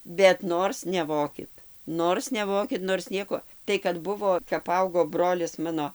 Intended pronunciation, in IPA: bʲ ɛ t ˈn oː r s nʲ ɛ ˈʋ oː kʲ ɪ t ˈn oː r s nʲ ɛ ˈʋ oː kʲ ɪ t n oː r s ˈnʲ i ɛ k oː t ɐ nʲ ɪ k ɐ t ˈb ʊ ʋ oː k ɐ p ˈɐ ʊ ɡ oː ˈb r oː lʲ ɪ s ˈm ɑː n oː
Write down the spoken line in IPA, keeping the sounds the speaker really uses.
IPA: bʲ ɛ t ˈn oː r s nʲ ɛ ˈʋ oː kʲ ɪ t ˈn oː r s nʲ ɛ ˈʋ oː kʲ ɪ t n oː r s ˈnʲ i ɛ k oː t ɐ ɪ k ɐ t ˈb ʊ ʋ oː k ɐ p ˈɐ ʊ ɡ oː ˈb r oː lʲ ɪ s ˈm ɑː n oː